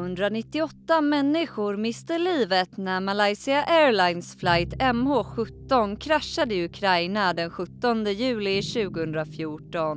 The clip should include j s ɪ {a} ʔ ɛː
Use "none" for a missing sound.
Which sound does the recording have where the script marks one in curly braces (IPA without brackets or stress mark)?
a